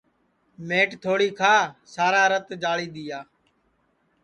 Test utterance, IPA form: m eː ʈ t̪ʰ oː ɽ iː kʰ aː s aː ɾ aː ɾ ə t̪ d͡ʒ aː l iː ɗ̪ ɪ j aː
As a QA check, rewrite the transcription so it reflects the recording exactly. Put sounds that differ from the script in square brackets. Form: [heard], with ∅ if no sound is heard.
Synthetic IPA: m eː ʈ t̪ʰ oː ɽ iː kʰ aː s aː ɾ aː ɾ ə t̪ d͡ʒ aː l iː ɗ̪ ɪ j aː